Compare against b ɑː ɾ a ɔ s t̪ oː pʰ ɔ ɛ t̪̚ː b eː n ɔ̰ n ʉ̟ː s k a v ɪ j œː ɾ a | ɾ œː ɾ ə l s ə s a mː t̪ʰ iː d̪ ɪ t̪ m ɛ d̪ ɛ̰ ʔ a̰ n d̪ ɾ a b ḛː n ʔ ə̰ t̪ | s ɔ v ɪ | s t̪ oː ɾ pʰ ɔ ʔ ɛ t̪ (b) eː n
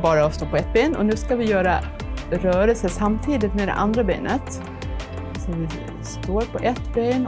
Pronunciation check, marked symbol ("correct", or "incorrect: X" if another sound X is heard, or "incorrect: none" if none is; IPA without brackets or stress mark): correct